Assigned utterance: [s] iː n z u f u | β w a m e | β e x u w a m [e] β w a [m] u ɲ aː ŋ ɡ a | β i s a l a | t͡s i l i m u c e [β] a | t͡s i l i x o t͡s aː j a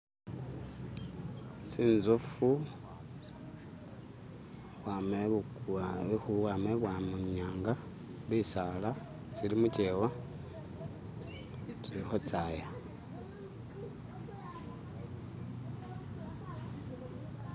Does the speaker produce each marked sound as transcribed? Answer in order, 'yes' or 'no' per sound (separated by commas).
yes, yes, yes, no